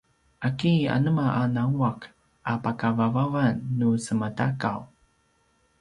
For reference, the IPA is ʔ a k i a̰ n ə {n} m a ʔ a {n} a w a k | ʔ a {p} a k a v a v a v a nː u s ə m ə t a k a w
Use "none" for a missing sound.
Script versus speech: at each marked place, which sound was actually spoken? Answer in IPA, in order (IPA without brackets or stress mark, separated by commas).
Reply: none, n, p